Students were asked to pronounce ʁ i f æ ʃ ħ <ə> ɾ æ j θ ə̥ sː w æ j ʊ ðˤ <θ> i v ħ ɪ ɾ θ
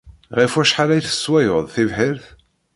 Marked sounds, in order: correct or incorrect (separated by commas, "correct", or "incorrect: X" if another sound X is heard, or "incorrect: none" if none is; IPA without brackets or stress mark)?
incorrect: a, correct